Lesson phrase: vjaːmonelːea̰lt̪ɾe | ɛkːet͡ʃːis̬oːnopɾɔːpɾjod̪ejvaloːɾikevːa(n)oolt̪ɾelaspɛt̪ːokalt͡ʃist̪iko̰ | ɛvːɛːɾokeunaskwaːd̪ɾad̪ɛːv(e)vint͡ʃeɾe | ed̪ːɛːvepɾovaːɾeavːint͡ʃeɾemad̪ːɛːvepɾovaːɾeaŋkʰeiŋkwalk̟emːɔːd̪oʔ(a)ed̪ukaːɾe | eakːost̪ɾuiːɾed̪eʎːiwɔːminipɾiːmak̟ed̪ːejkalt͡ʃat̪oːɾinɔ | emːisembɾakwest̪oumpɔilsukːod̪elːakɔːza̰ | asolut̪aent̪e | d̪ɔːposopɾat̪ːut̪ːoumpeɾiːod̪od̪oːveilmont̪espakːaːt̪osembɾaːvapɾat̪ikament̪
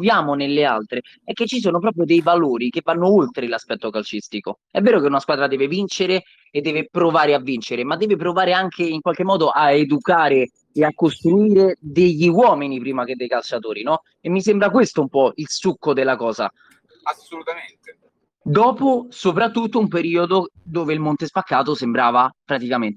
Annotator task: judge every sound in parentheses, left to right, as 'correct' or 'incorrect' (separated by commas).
incorrect, correct, correct